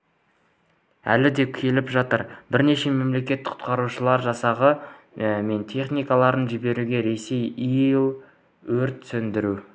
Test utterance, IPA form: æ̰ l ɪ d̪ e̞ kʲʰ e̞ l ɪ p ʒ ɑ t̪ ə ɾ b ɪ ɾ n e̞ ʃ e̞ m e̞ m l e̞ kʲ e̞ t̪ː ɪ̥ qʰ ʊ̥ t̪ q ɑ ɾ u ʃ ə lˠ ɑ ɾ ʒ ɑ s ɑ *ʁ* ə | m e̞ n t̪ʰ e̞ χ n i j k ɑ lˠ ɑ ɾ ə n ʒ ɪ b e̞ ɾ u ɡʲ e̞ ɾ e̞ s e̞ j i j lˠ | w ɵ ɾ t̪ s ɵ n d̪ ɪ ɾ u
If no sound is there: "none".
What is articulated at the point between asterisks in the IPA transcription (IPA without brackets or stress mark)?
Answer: ʁ